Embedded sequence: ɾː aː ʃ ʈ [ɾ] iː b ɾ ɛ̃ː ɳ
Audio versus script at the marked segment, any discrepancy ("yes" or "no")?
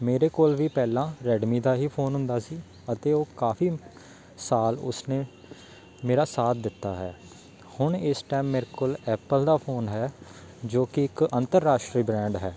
no